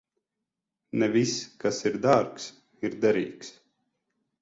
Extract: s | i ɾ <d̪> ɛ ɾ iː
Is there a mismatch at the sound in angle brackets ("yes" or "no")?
no